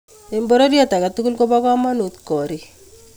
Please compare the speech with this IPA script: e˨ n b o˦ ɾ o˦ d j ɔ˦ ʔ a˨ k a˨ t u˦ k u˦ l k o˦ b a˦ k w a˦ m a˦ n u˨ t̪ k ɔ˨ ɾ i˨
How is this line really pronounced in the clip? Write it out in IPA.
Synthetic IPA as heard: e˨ m b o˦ ɾ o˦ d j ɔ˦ t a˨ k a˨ t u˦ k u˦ l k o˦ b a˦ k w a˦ m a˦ n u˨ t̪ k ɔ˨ ɾ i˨